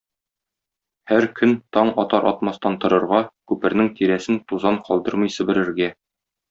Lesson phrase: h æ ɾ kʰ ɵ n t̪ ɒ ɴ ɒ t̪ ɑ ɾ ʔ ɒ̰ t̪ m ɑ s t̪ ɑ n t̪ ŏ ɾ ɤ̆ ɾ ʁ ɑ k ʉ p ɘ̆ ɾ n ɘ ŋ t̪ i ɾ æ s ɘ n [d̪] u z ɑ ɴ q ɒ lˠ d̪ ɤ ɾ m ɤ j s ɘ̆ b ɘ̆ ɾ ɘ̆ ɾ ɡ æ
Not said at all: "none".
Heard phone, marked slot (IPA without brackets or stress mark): t̪